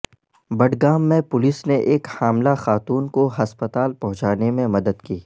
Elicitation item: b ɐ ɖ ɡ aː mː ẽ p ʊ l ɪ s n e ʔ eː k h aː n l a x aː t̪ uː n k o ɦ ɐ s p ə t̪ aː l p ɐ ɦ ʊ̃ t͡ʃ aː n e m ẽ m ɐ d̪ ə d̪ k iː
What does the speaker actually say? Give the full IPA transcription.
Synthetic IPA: b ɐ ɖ ɡ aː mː ẽ p ʊ l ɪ s n e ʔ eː k h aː m l a x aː t̪ uː n k o ɦ ɐ s p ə t̪ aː l p ɐ ɦ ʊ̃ t͡ʃ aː n e m ẽ m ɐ d̪ ə d̪ k iː